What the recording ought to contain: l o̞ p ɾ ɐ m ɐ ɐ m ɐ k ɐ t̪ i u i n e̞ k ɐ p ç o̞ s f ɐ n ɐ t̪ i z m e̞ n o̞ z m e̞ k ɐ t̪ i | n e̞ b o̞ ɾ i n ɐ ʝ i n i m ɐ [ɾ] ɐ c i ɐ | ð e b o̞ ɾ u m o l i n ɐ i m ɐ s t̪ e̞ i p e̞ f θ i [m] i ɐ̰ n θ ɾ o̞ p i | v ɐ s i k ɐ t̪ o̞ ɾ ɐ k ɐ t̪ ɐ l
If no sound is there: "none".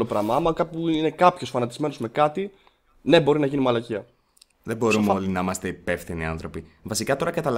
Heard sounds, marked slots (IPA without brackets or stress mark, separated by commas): l, n